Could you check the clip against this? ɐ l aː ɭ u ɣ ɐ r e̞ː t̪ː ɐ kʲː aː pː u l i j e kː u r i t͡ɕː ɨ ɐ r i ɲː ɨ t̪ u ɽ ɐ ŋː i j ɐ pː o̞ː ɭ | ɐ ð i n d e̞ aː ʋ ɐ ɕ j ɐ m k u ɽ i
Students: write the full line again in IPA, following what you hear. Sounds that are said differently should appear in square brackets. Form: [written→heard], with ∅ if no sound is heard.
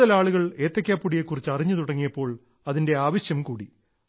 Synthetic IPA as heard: ɐ l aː ɭ u ɣ ɐ [r→ɭ] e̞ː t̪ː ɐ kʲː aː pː u [l→ɽ] i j e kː u r i t͡ɕː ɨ ɐ r i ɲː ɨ t̪ u ɽ ɐ ŋː i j ɐ pː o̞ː ɭ | ɐ ð i n d e̞ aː ʋ ɐ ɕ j ɐ m k [u→uː] ɽ i